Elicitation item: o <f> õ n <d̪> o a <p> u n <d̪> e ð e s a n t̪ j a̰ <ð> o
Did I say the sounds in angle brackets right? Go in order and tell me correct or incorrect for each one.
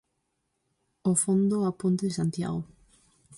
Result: correct, correct, correct, incorrect: t̪, incorrect: ɣ

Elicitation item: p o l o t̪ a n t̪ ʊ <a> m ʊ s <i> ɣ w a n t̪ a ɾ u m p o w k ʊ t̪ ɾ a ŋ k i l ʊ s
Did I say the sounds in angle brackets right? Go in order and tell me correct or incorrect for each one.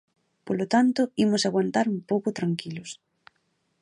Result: incorrect: i, incorrect: a

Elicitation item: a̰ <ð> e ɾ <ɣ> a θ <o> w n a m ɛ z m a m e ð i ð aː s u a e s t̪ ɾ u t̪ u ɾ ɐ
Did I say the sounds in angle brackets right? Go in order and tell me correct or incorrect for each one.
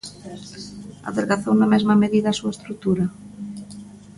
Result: correct, correct, correct

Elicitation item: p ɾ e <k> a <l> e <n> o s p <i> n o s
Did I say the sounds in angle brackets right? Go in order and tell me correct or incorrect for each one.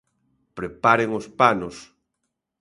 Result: incorrect: p, incorrect: ɾ, incorrect: ŋ, incorrect: a

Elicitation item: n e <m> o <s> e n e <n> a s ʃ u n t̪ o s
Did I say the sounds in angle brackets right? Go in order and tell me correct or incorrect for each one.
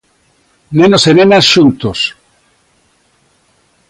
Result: incorrect: n, correct, correct

